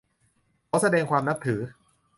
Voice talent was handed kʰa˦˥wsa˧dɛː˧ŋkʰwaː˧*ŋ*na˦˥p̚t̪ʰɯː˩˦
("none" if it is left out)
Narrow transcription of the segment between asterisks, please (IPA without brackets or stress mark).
m